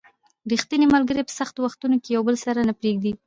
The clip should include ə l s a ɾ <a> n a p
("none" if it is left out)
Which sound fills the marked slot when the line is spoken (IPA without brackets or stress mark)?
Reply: a